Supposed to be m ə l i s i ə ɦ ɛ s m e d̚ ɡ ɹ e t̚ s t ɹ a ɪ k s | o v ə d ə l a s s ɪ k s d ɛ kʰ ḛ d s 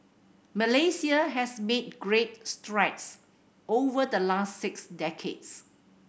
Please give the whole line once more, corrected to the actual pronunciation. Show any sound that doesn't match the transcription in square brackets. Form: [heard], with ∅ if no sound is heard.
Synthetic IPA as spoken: m ə l [e] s i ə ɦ ɛ s m e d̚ ɡ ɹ e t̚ s t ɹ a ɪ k s | o v ə d ə l a s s ɪ k s d ɛ kʰ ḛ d s